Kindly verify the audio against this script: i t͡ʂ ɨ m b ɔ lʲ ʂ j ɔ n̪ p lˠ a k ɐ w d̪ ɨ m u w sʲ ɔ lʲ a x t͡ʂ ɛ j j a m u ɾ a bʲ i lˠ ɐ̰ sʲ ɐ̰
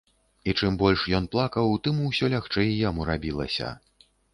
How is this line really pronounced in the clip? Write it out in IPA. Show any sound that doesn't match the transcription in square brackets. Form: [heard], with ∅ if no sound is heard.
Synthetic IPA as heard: i t͡ʂ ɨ m b ɔ lʲ ʂ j ɔ n̪ p lˠ a k ɐ w [t̪] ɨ m u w sʲ ɔ lʲ a x t͡ʂ ɛ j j a m u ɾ a bʲ i lˠ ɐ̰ sʲ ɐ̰